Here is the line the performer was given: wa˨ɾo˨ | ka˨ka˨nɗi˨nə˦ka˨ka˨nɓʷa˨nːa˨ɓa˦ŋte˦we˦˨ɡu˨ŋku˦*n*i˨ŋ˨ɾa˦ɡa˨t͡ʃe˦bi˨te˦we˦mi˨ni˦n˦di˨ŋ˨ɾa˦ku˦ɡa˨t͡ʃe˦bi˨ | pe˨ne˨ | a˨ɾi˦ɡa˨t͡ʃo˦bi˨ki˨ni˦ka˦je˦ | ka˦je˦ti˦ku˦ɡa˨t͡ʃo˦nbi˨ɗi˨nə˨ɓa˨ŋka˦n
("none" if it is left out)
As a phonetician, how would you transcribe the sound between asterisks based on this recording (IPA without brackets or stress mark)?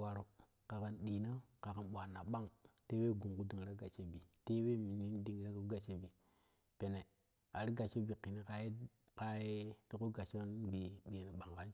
d